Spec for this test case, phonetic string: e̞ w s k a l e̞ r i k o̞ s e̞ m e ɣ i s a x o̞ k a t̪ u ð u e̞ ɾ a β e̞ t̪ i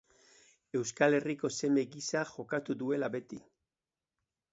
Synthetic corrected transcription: e̞ w s k a l e̞ r i k o̞ s e̞ m e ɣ i s a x o̞ k a t̪ u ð u e̞ l a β e̞ t̪ i